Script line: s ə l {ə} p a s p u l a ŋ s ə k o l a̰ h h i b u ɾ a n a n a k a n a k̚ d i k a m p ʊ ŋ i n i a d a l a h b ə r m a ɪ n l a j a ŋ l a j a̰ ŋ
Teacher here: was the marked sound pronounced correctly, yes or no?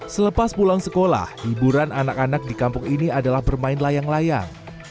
yes